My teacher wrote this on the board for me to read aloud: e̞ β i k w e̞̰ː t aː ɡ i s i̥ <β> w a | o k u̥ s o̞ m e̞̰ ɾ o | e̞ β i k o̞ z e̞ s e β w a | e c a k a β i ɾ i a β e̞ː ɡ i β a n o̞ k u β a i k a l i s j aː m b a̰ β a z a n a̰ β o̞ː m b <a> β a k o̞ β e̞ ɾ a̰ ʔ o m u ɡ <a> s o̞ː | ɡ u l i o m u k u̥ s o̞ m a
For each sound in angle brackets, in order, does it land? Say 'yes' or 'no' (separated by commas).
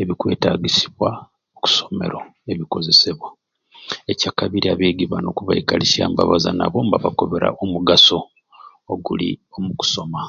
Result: yes, yes, yes